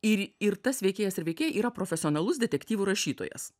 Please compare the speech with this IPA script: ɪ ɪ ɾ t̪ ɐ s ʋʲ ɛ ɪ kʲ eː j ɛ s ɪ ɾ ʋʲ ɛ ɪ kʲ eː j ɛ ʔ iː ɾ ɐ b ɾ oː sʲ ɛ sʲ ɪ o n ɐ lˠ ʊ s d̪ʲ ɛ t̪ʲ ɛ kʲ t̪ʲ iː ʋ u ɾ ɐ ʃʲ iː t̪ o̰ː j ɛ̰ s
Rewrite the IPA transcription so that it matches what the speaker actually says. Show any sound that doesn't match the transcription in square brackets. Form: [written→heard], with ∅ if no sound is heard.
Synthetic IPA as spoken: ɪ ɪ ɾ t̪ ɐ s ʋʲ ɛ ɪ kʲ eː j ɛ s ɪ ɾ ʋʲ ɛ ɪ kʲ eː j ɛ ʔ iː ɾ ɐ [b→p] ɾ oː [sʲ→fʲ] ɛ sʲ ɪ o n ɐ lˠ ʊ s d̪ʲ ɛ t̪ʲ ɛ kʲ t̪ʲ iː ʋ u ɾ ɐ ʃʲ iː t̪ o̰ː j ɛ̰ s